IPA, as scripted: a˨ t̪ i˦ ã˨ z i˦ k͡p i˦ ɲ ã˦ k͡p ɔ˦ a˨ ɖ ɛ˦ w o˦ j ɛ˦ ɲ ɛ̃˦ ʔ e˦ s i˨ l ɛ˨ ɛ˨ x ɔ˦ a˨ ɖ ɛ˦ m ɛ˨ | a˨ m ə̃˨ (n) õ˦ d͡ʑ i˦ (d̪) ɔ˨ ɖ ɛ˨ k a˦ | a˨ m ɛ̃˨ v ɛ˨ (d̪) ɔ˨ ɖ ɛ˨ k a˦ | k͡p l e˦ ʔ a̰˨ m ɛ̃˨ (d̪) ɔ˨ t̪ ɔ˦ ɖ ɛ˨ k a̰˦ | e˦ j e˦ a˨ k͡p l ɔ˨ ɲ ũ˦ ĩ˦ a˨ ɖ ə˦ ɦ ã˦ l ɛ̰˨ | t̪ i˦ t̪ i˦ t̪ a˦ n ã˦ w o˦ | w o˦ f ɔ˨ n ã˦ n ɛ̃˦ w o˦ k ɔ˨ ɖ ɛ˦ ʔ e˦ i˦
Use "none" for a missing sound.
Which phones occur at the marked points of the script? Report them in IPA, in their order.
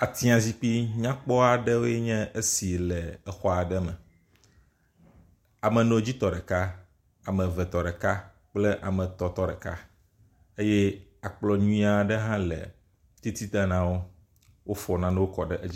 n, t̪, t̪, t̪

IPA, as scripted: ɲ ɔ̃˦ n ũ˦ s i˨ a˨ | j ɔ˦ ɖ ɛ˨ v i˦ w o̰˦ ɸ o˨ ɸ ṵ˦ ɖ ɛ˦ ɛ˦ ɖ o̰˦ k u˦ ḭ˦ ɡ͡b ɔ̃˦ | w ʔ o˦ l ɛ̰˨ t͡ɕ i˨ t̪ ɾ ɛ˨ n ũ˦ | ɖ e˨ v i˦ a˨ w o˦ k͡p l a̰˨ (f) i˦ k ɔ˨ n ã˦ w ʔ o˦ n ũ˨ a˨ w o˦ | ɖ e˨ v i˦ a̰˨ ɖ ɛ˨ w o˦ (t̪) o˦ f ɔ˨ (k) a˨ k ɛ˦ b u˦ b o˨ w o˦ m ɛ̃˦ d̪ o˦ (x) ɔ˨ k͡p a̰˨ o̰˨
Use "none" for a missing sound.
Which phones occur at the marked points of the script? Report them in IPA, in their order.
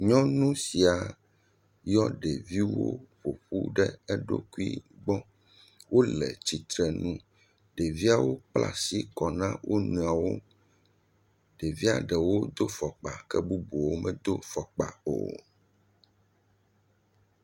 s, d̪, k͡p, f

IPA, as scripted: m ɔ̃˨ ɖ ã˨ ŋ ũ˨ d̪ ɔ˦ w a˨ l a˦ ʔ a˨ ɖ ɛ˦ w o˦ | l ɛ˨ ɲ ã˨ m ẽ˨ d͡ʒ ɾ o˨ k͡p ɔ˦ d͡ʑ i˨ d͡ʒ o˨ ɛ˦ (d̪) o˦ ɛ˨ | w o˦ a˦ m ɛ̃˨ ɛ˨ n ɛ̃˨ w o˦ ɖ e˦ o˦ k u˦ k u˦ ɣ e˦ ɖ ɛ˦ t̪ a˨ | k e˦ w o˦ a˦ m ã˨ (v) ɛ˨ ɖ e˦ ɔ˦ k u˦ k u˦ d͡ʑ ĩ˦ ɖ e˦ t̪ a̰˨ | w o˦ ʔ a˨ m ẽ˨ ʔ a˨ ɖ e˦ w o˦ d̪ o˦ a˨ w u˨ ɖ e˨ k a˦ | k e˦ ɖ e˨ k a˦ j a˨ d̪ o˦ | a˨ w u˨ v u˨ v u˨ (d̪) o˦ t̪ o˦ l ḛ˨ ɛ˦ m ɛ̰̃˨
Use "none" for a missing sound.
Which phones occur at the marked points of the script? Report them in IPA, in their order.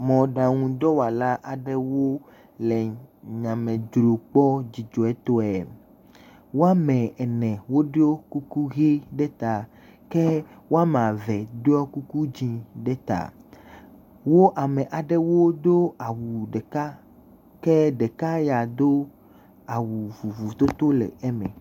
t̪, v, t̪

